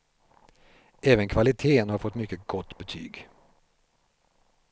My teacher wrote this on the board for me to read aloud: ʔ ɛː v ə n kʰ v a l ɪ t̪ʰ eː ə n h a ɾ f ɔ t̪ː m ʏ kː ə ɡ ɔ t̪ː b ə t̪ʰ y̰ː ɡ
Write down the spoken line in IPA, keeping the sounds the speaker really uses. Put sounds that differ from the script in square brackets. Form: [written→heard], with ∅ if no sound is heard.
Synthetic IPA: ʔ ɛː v ə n kʰ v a l ɪ t̪ʰ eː ə n h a ɾ f ɔ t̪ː m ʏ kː ə ɡ ɔ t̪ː b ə t̪ʰ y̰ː ɡ